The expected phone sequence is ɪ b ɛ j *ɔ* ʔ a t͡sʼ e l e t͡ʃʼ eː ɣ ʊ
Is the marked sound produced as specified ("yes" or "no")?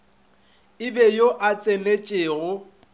no